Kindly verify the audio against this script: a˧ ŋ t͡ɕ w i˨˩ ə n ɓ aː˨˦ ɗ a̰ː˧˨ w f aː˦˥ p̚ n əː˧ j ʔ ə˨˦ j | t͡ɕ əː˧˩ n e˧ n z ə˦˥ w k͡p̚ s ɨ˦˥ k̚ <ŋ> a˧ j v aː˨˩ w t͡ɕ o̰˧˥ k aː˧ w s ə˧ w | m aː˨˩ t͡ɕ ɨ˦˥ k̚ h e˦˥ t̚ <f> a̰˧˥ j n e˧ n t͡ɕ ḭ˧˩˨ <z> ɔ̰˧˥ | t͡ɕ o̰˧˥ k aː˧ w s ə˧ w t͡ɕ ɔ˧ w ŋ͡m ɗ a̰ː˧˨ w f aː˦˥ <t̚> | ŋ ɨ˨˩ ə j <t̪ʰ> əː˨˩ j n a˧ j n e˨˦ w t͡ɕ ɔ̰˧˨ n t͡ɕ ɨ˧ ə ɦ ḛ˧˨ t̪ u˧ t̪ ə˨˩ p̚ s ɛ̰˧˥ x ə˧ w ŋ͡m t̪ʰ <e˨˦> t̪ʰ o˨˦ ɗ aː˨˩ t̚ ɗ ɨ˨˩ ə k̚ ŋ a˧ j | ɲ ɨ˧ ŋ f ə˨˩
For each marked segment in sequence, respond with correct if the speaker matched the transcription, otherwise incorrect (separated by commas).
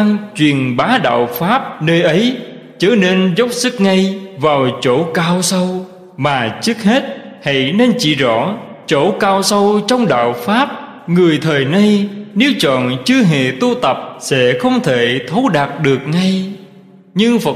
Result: correct, incorrect, correct, incorrect, correct, incorrect